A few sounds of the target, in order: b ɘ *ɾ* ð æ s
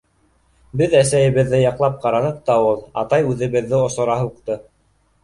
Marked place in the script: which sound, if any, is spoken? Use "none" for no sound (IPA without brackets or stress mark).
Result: none